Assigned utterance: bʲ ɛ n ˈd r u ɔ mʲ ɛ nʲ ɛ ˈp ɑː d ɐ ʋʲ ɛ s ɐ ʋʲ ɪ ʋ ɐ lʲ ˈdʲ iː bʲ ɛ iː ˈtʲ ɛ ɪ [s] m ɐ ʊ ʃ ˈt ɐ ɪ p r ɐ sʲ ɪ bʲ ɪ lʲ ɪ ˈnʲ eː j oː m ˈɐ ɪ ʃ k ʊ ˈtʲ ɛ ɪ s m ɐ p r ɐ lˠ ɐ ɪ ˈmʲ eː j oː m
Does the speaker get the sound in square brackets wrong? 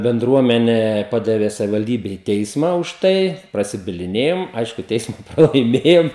no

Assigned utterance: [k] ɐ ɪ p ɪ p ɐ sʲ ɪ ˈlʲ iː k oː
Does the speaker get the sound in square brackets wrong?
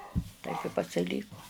yes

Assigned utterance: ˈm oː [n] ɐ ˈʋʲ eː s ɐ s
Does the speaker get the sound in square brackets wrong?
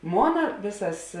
no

